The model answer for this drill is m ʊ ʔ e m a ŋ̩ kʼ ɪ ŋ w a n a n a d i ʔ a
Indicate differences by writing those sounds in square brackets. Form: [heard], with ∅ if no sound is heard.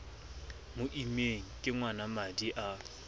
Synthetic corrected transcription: m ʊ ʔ [i] m [e] ŋ̩ kʼ ɪ ŋ w a n a [m] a d i ʔ a